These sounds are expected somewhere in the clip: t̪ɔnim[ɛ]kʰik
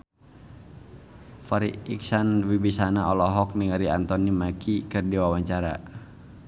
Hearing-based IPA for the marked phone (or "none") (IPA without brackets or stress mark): a